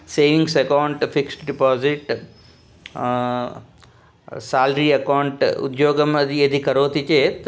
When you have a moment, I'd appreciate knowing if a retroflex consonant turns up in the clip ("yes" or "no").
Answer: yes